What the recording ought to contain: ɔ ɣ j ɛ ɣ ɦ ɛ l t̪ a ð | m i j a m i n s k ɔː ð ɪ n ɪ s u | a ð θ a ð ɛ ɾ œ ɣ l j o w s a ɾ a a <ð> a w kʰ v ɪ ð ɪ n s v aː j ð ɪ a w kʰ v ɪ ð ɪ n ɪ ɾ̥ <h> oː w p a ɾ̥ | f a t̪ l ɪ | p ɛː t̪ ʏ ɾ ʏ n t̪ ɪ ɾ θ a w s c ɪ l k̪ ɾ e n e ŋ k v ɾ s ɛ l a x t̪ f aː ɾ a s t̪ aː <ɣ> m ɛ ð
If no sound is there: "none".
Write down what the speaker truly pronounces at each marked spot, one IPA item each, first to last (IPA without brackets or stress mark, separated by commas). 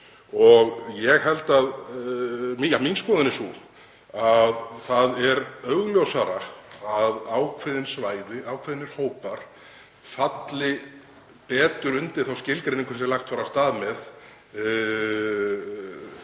ð, h, ð